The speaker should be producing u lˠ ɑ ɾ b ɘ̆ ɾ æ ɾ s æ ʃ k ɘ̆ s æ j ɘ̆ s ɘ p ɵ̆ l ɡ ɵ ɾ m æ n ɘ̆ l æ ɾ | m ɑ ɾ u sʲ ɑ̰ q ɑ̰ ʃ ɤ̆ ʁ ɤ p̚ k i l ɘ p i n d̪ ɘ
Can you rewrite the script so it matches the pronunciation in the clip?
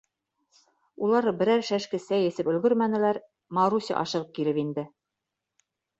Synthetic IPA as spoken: u lˠ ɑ ɾ b ɘ̆ ɾ æ ɾ ʃ æ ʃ k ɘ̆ s æ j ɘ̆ s ɘ p ɵ̆ l ɡ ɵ ɾ m æ n ɘ̆ l æ ɾ | m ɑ ɾ u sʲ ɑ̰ ʔ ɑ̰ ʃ ɤ̆ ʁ ɤ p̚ k i l ɘ p i n d̪ ɘ